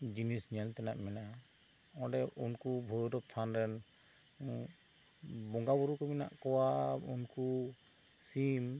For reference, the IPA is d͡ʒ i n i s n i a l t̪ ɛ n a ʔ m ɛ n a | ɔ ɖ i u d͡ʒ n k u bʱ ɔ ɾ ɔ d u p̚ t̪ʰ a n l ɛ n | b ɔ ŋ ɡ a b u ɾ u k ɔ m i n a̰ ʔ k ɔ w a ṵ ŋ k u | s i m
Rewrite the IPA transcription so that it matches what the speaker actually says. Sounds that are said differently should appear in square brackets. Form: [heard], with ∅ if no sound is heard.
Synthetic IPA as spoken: d͡ʒ i n i s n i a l t̪ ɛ n a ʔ m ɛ n a | ɔ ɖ [ɛ] u [∅] n k u bʱ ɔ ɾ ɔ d [ɔ] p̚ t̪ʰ a n [ɾ] ɛ n | b ɔ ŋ ɡ a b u ɾ u k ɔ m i n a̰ ʔ k ɔ w a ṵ [n] k u | s i m